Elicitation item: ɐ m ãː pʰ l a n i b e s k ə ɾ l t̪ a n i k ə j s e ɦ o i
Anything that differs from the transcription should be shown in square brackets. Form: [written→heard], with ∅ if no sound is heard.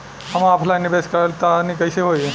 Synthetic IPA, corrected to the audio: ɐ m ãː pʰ l a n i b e s k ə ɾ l t̪ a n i k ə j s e ɦ o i